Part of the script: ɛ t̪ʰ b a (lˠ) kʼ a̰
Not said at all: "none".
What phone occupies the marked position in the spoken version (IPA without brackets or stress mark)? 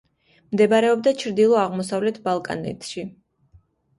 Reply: lˠ